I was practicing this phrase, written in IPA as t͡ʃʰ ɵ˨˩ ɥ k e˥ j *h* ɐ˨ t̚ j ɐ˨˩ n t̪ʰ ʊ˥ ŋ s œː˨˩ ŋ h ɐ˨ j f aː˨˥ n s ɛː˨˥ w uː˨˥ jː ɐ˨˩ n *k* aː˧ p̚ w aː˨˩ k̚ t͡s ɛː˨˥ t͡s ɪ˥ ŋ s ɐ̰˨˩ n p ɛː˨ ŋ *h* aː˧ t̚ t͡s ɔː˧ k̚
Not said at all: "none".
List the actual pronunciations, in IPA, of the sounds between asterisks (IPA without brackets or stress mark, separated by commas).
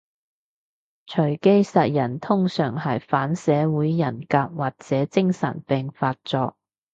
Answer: s, k, f